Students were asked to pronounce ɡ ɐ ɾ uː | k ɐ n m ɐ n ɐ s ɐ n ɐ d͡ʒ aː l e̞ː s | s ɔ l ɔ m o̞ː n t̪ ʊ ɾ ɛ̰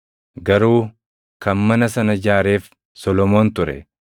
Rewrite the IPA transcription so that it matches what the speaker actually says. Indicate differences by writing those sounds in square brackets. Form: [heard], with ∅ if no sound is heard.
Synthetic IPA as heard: ɡ ɐ ɾ uː | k ɐ n m ɐ n ɐ s ɐ n ɐ d͡ʒ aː [ɾ] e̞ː [f] | s ɔ l ɔ m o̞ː n t̪ ʊ ɾ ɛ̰